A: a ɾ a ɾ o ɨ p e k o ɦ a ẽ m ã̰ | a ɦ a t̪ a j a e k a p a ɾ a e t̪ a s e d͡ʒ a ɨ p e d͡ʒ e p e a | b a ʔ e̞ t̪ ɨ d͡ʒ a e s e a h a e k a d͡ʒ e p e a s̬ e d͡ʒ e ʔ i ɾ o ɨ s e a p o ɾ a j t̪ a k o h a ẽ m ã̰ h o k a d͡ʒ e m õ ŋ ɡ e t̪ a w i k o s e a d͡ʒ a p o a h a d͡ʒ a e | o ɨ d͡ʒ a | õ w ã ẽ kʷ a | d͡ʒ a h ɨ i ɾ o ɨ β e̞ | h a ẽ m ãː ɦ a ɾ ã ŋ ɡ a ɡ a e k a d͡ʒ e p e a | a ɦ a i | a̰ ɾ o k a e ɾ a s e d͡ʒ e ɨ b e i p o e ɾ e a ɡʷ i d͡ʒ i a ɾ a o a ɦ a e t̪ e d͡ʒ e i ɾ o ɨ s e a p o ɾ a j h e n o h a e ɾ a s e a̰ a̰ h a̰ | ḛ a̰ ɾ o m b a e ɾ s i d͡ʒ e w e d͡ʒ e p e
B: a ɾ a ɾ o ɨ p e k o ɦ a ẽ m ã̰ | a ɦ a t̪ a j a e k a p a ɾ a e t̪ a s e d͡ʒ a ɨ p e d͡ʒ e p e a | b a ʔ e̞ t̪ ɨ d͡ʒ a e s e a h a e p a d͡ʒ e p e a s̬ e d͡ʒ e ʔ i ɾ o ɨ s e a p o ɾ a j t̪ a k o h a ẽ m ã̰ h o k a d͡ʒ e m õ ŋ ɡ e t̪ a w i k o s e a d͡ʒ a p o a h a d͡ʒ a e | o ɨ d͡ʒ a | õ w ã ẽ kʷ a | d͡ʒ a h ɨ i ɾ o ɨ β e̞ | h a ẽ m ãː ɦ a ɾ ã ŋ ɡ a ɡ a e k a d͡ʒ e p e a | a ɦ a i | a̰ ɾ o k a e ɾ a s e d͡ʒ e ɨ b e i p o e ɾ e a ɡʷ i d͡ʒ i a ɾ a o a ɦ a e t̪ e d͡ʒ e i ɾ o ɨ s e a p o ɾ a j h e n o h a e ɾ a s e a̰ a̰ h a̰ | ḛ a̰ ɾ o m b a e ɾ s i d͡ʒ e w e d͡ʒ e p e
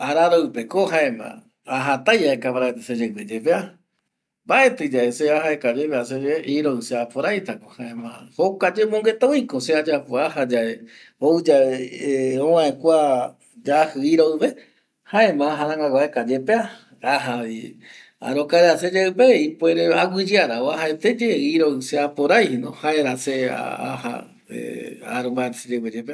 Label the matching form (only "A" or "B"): A